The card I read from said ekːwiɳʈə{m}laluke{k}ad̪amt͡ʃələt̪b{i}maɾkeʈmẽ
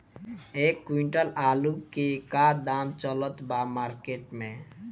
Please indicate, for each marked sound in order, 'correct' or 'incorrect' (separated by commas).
incorrect, correct, incorrect